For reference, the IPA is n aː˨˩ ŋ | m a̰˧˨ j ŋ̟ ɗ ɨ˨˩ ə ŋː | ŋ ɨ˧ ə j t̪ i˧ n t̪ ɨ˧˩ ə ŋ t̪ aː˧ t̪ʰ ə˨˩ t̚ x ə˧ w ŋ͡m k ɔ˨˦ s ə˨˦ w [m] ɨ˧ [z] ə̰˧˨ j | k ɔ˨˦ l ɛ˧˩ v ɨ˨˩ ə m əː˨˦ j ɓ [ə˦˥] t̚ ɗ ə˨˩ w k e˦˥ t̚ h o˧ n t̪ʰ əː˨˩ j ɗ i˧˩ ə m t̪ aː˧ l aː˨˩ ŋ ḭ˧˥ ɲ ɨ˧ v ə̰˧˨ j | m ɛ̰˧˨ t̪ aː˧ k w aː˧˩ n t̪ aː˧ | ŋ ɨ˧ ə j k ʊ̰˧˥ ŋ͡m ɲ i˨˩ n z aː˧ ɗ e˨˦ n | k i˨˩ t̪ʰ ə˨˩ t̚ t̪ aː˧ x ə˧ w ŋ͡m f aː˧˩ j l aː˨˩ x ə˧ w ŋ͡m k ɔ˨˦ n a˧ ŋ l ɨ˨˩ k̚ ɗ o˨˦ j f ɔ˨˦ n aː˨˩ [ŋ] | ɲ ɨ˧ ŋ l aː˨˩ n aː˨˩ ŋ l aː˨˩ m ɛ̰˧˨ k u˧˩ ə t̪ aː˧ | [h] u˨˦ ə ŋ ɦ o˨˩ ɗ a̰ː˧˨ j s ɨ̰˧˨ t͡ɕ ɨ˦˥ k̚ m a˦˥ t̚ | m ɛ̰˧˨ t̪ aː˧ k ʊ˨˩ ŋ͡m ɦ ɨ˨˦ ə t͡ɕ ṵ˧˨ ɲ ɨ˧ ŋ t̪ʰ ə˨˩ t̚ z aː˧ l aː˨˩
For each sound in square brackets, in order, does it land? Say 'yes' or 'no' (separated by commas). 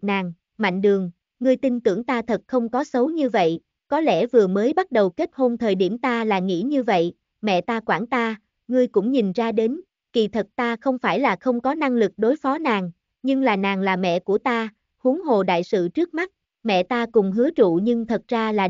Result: no, no, no, yes, yes